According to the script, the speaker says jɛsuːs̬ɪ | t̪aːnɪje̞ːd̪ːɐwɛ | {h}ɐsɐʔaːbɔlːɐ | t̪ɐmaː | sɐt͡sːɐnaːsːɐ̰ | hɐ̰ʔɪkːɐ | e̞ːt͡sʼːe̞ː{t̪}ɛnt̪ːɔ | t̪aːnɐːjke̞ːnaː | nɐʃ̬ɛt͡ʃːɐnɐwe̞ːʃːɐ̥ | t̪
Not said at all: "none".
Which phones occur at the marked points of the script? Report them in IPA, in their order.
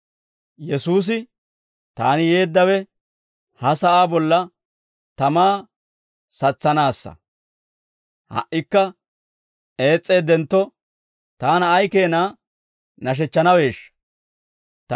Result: h, d̪

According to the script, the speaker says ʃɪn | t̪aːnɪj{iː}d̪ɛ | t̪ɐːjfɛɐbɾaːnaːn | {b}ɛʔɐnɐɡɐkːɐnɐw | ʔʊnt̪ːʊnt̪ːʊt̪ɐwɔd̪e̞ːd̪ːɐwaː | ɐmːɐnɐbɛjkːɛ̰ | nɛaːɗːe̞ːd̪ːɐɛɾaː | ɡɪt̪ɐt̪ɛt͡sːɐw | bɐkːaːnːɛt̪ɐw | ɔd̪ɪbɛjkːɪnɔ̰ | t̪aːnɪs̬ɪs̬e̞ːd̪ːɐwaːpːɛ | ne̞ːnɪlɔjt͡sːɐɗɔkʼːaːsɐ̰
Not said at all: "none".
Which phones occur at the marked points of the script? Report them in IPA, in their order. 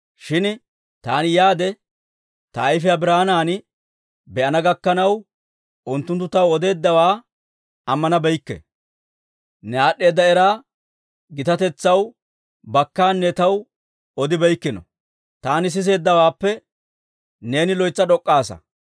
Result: aː, b

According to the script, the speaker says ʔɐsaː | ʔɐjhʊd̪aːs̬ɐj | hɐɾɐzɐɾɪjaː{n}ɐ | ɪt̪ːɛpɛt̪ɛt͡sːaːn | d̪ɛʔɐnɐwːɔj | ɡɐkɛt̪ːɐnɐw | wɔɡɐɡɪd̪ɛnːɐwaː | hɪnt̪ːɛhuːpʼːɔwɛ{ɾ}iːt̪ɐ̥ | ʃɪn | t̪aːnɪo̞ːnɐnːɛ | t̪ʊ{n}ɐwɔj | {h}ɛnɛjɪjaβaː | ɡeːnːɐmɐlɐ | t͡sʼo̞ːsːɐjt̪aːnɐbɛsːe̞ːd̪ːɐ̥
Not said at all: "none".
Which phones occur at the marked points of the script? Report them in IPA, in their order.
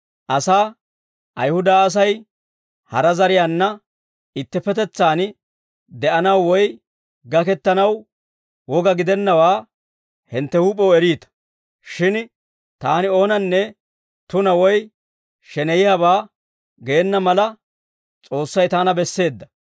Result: nː, ɾ, n, ʃ

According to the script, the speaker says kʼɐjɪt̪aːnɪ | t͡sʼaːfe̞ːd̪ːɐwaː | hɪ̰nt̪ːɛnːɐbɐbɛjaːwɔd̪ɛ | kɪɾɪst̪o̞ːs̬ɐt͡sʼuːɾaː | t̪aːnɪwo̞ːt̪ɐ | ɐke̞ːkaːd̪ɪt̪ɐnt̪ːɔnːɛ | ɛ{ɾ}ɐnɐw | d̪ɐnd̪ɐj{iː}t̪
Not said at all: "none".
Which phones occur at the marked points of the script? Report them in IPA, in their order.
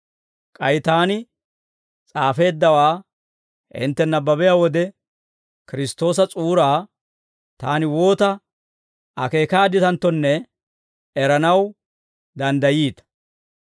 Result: ɾ, iː

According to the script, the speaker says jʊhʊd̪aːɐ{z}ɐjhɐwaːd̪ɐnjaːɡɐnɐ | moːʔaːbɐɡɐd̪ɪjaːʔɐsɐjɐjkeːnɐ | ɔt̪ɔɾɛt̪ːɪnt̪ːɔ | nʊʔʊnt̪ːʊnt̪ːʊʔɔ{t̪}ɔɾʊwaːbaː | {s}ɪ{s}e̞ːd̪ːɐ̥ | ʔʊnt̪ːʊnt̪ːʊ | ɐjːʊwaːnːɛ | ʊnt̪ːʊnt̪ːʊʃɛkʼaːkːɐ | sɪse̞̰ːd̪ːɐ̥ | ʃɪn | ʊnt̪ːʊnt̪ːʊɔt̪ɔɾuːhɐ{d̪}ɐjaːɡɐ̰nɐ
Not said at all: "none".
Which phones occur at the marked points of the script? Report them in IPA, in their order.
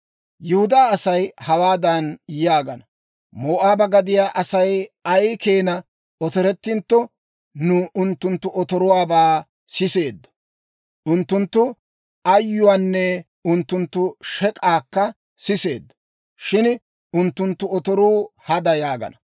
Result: s, t̪, s, s, d̪

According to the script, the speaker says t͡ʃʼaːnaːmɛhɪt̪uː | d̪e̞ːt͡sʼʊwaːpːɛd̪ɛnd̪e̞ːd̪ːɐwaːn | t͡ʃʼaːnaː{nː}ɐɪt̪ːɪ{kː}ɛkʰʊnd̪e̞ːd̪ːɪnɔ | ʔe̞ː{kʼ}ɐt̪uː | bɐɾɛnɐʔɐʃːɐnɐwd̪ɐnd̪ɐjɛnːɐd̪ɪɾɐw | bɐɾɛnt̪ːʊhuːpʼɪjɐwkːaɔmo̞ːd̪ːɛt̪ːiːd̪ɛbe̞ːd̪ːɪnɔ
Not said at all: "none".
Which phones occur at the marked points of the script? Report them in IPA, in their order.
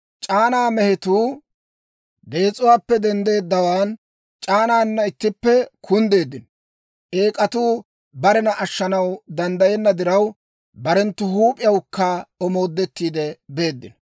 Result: nː, pː, kʼ

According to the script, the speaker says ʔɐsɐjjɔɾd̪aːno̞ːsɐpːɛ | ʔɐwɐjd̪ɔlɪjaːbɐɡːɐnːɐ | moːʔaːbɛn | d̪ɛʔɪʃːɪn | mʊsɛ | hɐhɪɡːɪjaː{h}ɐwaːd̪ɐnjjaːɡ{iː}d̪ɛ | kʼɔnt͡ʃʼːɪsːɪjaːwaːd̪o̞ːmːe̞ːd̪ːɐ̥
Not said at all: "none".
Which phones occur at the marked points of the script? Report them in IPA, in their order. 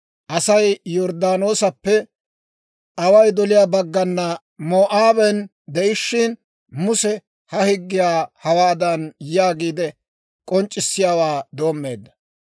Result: h, iː

